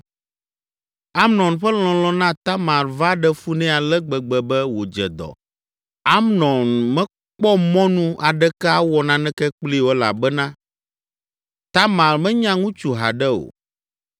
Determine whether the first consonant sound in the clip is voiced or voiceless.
voiced